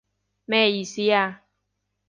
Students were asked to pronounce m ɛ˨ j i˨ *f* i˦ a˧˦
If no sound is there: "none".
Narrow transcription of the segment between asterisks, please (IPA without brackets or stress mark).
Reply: s